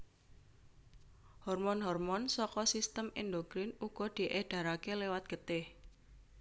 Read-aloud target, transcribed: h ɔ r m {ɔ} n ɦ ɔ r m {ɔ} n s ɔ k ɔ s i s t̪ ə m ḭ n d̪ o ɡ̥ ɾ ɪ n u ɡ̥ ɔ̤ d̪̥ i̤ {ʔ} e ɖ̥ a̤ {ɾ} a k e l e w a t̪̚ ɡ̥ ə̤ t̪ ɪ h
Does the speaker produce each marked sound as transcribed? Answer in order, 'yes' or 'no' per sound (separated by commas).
yes, yes, yes, yes